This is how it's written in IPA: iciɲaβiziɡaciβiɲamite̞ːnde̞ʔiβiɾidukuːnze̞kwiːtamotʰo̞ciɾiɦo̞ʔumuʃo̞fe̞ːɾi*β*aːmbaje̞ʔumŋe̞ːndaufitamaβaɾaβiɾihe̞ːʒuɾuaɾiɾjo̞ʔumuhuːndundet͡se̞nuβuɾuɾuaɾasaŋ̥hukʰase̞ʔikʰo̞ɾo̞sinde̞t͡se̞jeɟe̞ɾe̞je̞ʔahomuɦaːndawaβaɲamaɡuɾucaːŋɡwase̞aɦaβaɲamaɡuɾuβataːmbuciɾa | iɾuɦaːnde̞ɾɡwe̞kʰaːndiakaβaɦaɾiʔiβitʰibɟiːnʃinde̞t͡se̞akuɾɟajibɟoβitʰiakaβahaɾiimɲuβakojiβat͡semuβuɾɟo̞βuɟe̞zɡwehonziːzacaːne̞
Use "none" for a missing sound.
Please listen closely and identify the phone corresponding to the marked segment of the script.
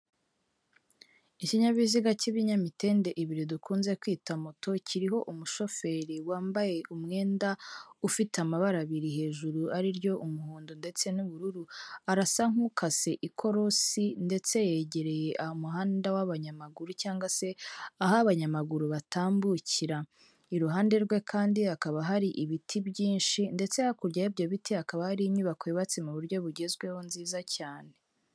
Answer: w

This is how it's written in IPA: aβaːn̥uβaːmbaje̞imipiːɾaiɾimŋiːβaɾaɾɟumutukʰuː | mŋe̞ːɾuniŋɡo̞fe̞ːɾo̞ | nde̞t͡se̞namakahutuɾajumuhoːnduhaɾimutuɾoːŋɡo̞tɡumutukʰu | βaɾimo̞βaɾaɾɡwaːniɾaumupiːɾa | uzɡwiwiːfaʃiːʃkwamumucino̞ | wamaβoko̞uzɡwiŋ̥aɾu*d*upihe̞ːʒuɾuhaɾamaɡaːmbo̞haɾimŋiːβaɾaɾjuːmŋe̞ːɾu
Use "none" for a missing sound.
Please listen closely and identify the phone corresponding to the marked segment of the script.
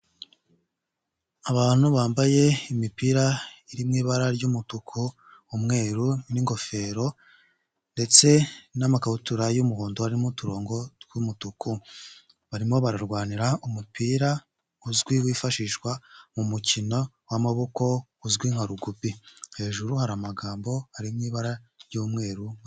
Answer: ɡ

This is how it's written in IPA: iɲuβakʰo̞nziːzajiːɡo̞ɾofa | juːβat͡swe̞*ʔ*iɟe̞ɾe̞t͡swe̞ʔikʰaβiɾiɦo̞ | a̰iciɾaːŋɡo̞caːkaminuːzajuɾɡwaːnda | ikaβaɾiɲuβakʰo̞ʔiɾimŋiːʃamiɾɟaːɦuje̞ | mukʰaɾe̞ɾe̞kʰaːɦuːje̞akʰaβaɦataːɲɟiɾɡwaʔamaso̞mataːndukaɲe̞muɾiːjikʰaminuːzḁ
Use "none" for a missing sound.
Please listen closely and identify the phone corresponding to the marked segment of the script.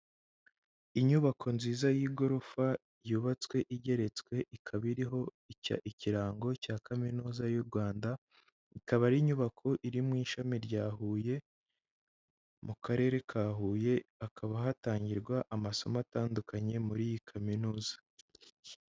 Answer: ʔ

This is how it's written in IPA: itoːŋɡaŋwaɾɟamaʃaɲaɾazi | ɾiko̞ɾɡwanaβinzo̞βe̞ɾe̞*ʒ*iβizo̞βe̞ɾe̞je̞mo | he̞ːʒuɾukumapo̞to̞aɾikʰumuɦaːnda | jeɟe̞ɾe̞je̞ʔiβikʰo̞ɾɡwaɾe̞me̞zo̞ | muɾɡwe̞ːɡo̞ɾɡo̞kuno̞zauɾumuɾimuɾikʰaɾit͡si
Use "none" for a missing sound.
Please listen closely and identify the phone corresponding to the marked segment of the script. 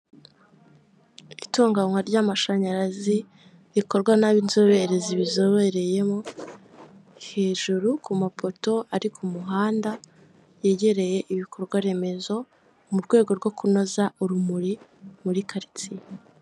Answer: z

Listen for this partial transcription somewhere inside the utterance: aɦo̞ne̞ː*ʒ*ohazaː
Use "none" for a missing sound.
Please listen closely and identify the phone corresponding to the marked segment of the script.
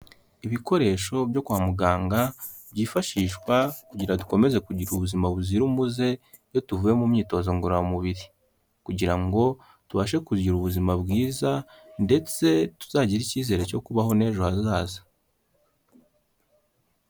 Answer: ʒ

